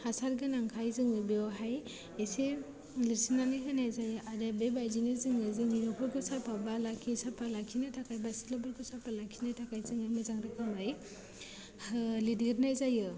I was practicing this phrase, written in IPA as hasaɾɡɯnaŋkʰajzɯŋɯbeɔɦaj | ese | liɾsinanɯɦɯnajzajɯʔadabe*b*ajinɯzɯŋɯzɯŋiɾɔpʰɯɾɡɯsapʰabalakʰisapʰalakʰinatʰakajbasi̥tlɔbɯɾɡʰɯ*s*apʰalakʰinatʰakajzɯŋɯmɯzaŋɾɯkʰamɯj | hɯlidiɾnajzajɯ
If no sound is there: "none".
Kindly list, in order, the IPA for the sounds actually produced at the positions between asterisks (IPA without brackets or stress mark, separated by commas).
b, s